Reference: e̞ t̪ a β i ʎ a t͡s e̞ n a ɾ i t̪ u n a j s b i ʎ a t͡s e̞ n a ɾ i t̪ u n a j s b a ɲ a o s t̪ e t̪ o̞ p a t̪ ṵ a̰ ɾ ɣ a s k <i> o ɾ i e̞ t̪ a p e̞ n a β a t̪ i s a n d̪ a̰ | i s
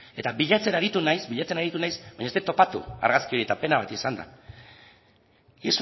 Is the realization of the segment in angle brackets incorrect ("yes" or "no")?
no